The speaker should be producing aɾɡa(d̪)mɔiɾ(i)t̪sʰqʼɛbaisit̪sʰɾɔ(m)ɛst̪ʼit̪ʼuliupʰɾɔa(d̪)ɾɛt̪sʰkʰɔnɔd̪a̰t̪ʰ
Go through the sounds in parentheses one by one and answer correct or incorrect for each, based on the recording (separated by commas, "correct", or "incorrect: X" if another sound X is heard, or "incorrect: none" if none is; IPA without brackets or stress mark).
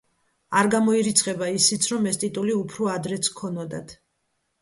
incorrect: none, correct, correct, correct